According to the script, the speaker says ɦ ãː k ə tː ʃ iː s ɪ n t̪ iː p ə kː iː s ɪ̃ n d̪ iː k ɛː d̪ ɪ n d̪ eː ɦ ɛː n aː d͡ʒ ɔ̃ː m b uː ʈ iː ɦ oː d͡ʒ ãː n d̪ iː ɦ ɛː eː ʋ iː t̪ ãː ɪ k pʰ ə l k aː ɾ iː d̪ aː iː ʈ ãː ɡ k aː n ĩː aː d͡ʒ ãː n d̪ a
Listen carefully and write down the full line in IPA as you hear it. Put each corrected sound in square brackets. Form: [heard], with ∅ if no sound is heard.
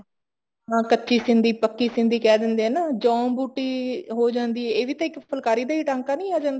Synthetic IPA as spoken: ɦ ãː k ə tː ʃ iː s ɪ n [d̪] iː p ə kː iː s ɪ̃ n d̪ iː k ɛː d̪ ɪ n d̪ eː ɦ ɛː n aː d͡ʒ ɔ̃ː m b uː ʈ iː ɦ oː d͡ʒ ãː n d̪ iː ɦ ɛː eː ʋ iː t̪ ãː ɪ k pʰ ə l k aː ɾ iː d̪ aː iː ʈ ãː [ŋ] k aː n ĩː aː d͡ʒ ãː n d̪ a